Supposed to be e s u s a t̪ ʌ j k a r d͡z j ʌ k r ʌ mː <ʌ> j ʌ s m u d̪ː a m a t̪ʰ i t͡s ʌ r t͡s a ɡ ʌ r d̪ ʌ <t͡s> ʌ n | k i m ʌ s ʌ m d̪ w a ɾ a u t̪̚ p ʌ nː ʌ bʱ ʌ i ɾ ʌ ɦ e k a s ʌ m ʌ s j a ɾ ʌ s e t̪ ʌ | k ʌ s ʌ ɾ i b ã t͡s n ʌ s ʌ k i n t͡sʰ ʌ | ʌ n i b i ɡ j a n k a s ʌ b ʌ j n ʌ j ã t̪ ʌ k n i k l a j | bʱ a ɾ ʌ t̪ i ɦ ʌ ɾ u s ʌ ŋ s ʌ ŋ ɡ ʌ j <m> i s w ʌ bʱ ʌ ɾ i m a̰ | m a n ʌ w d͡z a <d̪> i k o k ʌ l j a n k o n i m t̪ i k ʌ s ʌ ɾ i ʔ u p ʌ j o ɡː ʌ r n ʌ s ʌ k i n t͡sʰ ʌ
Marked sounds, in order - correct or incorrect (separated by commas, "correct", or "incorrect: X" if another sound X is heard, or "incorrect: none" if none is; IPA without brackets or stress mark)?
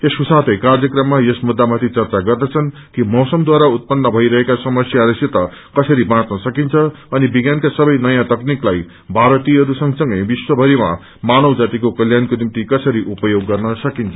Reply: incorrect: a, incorrect: t͡sʰ, incorrect: b, incorrect: t̪